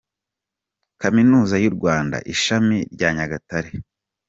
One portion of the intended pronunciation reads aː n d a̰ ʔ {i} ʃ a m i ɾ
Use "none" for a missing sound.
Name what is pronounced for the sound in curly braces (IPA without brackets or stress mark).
i